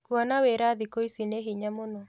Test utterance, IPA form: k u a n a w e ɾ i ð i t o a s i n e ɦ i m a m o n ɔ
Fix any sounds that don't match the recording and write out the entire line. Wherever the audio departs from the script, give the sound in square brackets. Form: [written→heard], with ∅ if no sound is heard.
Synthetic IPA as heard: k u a n a w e ɾ [i→a] ð i [t→k] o [a→i] s i n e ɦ i [m→ɲ] a m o n ɔ